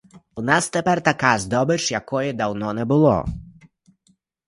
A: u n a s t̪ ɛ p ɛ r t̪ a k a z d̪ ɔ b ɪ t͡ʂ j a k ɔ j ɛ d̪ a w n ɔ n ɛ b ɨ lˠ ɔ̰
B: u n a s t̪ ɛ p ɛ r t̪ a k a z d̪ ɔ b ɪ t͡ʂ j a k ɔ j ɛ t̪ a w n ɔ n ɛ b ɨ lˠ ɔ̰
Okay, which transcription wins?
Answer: A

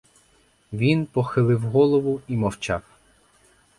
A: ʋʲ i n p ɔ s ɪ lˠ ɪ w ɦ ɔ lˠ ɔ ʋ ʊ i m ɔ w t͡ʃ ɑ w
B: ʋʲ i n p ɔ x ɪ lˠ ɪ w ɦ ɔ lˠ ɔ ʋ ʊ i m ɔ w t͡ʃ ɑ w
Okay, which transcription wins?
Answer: B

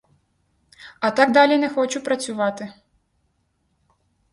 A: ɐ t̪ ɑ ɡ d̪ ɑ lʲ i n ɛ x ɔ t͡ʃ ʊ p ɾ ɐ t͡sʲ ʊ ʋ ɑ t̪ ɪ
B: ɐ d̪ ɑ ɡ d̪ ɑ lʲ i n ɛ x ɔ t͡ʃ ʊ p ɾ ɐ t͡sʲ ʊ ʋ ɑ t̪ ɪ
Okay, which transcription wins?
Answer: A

